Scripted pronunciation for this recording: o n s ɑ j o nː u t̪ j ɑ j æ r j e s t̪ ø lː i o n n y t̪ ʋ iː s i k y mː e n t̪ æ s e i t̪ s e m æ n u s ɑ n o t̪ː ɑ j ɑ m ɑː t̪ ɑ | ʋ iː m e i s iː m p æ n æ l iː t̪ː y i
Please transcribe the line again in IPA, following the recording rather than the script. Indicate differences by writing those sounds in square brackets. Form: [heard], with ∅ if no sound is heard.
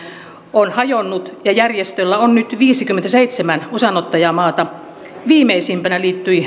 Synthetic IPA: o n [h] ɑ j o nː u t̪ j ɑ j æ r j e s t̪ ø lː [æ] o n n y t̪ ʋ iː s i k y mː e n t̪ æ s e i t̪ s e m æ n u s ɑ n o t̪ː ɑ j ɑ m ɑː t̪ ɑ | ʋ iː m e i s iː m p æ n æ l iː t̪ː y i